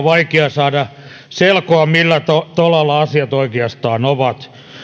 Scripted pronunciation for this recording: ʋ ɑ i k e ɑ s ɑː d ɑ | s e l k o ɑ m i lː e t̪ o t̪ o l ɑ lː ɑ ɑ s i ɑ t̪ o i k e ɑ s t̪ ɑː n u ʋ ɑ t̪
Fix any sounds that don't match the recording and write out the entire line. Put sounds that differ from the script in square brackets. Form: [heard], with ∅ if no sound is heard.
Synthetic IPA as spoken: ʋ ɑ i k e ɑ s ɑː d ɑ | s e l k o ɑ m i lː [æ] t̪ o t̪ o l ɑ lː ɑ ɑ s i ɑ t̪ o i k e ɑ s t̪ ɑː n [o] ʋ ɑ t̪